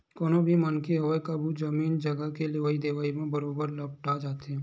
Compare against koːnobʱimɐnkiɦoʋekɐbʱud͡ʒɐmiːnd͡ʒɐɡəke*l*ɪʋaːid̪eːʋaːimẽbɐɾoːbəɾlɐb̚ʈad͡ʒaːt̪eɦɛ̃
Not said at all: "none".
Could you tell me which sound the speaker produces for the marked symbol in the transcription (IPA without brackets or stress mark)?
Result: l